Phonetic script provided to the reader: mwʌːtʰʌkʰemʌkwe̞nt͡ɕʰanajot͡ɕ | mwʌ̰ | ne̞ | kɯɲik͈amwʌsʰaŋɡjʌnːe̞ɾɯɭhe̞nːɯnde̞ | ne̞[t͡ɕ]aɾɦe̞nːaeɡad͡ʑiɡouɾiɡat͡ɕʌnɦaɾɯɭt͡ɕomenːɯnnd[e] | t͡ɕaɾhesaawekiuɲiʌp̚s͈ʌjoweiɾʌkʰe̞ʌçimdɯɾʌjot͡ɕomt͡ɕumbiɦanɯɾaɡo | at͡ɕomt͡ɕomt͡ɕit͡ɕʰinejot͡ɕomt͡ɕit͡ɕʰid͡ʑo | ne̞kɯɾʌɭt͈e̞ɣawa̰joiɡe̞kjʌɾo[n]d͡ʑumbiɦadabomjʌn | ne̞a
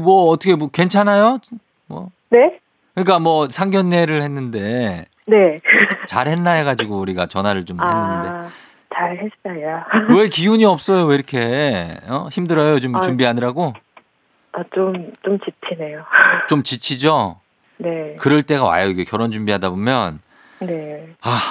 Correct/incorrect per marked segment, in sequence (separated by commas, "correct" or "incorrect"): correct, correct, correct